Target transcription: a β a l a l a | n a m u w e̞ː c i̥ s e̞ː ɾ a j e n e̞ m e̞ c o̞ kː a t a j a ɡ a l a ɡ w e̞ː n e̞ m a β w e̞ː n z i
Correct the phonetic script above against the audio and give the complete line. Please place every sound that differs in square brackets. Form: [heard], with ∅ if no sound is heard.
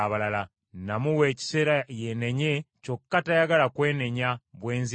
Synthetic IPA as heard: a β a l a l a | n a m u w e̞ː c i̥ s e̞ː ɾ a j e n e̞ [ɲ] e̞ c o̞ kː a t a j a ɡ a l a [k] w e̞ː n e̞ [ɲ] a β w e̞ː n z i